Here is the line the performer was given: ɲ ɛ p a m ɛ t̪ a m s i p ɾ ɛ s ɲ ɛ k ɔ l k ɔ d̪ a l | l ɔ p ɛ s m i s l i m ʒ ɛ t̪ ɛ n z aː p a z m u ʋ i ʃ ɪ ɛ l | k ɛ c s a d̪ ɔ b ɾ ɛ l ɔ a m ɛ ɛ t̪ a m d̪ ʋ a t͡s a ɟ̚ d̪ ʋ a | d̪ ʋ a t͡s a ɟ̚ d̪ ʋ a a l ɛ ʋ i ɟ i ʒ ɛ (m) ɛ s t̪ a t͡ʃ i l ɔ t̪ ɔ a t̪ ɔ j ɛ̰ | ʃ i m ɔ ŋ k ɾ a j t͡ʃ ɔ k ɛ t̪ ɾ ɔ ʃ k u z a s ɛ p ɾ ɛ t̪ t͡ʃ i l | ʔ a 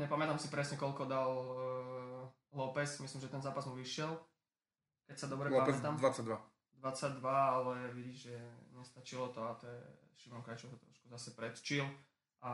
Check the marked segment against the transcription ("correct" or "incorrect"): incorrect